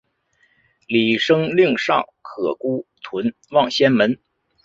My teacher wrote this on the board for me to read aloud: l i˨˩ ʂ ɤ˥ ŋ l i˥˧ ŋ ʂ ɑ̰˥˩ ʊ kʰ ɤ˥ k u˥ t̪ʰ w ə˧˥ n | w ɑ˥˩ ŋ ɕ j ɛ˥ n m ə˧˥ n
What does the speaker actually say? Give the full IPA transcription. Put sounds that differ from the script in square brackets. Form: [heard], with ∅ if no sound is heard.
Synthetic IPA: l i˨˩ ʂ ɤ˥ ŋ l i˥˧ ŋ ʂ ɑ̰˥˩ ʊ kʰ [ɤ˨˩] k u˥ t̪ʰ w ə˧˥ n | w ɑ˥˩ ŋ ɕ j ɛ˥ n m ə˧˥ n